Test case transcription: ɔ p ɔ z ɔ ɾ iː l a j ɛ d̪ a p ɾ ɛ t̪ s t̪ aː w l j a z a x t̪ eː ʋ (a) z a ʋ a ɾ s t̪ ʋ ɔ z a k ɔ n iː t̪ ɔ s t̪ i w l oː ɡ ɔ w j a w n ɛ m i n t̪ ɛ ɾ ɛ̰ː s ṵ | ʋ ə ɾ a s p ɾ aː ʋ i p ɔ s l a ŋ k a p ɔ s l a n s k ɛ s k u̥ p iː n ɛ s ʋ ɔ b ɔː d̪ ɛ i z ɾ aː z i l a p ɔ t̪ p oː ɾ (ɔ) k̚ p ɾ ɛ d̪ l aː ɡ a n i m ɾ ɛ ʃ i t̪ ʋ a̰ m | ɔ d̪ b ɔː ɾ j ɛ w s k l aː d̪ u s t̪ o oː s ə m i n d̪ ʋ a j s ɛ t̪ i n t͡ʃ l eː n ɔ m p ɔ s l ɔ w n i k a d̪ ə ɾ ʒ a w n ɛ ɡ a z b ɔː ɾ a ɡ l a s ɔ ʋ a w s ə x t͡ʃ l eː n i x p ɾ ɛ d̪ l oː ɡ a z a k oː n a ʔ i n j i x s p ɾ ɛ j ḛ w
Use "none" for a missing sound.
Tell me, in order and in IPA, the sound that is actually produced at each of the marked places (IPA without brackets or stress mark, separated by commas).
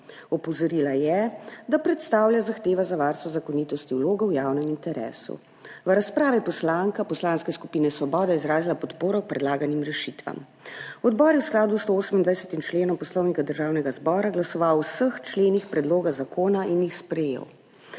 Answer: a, ɔ